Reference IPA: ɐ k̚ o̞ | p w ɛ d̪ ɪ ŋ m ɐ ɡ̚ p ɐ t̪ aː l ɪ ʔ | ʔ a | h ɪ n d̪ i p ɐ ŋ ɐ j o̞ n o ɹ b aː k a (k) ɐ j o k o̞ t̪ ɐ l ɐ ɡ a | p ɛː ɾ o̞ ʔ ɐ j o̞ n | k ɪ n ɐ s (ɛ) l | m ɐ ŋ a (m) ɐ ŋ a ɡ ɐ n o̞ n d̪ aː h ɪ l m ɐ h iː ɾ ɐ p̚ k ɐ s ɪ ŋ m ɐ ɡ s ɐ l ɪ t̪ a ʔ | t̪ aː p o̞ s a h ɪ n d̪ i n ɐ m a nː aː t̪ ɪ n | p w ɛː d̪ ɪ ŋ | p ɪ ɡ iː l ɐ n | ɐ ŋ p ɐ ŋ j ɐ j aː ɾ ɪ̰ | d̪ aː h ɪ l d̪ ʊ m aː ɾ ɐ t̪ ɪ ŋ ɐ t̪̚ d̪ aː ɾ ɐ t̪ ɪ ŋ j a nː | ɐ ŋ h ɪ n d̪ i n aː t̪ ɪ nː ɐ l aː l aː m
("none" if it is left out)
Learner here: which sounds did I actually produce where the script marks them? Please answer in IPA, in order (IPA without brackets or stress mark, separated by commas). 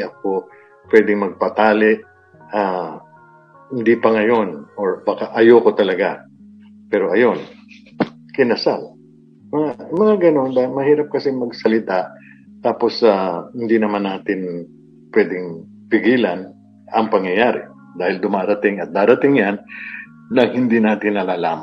ʔ, a, m